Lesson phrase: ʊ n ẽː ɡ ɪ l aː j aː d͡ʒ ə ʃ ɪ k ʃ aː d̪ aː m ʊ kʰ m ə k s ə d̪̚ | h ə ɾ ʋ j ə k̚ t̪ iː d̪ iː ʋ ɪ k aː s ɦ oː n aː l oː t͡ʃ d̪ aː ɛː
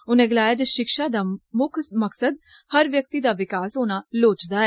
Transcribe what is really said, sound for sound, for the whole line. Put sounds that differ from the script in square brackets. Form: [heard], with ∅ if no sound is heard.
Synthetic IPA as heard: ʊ n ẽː ɡ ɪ l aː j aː d͡ʒ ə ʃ ɪ k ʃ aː d̪ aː m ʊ kʰ m ə k s ə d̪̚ | h ə ɾ ʋ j ə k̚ t̪ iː d̪ [aː] ʋ ɪ k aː s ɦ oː n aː l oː t͡ʃ d̪ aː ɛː